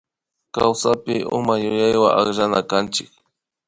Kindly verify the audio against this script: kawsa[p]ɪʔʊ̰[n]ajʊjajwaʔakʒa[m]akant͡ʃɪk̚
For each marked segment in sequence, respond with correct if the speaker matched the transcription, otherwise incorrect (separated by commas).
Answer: correct, incorrect, incorrect